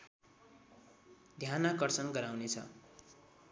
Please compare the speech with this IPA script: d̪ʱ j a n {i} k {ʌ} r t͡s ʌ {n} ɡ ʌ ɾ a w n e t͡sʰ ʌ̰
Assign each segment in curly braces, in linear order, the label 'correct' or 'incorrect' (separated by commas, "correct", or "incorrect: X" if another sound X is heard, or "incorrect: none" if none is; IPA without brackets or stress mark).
incorrect: a, correct, correct